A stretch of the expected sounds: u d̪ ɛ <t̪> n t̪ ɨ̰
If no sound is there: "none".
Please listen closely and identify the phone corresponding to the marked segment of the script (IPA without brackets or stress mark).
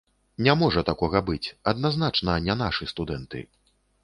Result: none